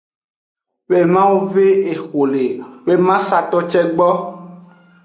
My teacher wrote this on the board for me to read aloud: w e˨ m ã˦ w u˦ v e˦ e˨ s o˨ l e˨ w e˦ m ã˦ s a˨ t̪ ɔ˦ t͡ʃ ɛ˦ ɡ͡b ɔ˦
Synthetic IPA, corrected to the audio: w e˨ m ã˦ w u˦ v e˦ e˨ x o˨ l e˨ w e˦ m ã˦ s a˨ t̪ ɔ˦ t͡ʃ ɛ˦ ɡ͡b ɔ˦